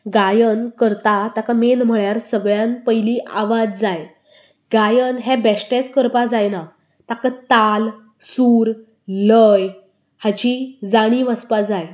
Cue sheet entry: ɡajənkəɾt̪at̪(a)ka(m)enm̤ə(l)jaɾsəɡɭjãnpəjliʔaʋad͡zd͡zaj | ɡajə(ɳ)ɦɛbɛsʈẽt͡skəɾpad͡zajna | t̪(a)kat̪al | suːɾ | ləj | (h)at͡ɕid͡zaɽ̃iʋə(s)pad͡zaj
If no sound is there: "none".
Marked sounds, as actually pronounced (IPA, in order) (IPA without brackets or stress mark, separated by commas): a, m, ɭ, n, a, h, s